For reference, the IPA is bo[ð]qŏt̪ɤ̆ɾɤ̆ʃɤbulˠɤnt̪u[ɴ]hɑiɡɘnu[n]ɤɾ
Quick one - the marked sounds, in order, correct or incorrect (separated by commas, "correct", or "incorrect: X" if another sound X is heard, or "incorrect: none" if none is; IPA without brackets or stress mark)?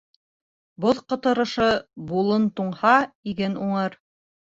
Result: correct, correct, incorrect: ɴ